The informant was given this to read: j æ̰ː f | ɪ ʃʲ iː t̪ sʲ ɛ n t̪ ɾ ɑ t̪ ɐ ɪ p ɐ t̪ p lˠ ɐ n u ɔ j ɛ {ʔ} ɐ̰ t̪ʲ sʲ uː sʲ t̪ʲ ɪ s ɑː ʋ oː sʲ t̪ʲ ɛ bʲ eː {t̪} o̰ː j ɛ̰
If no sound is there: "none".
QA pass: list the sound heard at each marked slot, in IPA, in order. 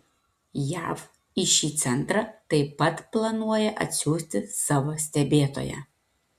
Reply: ʔ, t̪

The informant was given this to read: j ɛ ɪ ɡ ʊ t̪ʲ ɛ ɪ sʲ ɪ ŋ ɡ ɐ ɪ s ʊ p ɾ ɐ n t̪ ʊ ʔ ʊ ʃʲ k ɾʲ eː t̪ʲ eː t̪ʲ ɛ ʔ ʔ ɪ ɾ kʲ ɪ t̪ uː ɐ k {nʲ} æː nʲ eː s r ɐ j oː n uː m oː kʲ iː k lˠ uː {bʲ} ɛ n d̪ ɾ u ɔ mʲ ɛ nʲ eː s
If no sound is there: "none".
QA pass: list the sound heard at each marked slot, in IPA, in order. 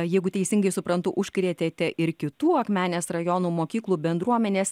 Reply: mʲ, bʲ

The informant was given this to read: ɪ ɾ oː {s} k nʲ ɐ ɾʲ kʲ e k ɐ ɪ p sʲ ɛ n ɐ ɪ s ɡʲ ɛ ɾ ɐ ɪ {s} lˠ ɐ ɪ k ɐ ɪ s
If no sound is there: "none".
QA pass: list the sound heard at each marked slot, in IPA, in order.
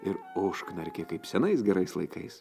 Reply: ʃ, s

